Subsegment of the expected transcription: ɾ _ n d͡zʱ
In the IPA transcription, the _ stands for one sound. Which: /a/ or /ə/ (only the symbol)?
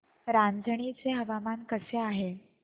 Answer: a